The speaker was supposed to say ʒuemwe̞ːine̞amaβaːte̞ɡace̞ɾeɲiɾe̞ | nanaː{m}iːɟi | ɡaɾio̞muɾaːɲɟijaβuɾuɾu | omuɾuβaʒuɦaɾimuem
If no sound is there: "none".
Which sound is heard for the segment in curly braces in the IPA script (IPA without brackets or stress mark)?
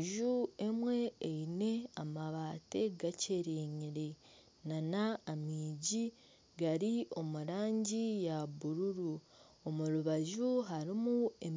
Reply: m